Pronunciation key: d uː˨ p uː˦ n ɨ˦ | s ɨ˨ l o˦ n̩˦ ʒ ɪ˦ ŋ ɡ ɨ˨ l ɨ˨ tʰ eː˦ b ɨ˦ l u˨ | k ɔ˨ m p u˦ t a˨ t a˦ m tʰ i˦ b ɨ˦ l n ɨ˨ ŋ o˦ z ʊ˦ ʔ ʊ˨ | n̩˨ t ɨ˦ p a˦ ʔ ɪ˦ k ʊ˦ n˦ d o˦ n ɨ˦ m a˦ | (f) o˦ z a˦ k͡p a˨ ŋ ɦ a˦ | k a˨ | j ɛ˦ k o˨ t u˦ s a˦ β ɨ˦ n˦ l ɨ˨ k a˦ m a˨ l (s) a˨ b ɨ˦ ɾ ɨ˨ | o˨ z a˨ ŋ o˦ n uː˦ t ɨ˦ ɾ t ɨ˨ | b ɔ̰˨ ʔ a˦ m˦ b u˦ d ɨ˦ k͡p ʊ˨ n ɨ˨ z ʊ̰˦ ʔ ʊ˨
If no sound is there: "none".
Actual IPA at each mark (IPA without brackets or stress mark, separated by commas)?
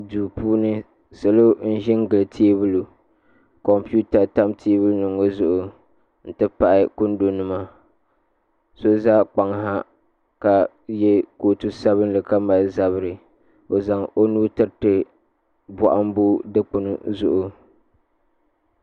s, z